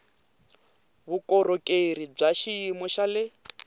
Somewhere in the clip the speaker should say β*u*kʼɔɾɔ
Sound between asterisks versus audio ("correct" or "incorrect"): correct